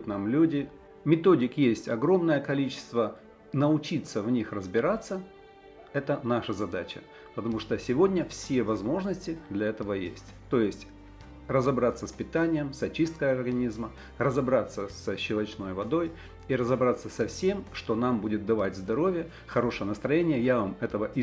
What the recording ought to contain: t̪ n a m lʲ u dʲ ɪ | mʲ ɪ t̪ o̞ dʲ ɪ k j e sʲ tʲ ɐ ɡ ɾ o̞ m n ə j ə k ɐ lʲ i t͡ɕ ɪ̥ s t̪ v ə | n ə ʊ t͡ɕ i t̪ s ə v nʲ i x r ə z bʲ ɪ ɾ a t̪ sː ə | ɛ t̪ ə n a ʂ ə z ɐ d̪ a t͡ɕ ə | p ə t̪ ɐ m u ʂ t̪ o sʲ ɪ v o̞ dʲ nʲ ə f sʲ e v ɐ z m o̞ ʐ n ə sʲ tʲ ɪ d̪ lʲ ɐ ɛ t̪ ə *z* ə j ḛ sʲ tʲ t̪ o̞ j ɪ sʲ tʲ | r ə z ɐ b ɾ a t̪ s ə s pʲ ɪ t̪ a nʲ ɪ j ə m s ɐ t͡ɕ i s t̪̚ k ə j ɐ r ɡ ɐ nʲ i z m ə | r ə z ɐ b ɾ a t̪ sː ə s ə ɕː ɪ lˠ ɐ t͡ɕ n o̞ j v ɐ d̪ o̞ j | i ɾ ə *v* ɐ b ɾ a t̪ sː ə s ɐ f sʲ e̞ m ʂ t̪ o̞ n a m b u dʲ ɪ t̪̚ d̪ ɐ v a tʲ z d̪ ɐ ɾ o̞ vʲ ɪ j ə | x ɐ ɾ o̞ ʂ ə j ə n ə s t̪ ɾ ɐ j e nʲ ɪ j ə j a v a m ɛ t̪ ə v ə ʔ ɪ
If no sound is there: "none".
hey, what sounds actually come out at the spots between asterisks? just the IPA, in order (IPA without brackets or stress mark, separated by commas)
v, z